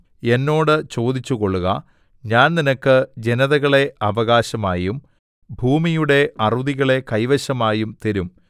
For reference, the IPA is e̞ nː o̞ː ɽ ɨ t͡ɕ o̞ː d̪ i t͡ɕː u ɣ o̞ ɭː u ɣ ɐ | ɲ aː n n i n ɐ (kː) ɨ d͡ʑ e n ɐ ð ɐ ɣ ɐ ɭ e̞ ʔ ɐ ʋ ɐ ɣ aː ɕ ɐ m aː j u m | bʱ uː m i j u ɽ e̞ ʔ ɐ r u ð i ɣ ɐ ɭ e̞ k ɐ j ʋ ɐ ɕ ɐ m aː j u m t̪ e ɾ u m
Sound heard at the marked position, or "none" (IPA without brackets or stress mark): kː